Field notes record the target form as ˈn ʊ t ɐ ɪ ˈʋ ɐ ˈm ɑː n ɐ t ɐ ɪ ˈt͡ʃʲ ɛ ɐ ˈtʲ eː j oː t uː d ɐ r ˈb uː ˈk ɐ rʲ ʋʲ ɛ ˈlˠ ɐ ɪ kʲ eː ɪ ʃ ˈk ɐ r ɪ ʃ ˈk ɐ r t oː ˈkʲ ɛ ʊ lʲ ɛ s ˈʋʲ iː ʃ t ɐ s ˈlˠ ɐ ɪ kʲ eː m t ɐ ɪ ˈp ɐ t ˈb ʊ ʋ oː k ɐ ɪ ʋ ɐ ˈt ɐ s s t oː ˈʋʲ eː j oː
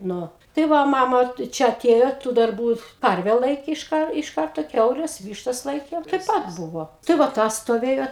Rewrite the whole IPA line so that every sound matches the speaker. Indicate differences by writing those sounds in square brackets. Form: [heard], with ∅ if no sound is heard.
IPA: ˈn ʊ t ɐ ɪ ˈʋ ɐ ˈm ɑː [m] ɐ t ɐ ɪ ˈt͡ʃʲ ɛ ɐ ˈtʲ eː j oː t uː d ɐ r ˈb uː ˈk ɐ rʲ ʋʲ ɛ ˈlˠ ɐ ɪ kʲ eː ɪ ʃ ˈk ɐ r ɪ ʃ ˈk ɐ r t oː ˈkʲ ɛ ʊ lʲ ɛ s ˈʋʲ iː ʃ t ɐ s ˈlˠ ɐ ɪ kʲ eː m t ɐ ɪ ˈp ɐ t ˈb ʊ ʋ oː [t] ɐ ɪ ʋ ɐ ˈt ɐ s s t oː ˈʋʲ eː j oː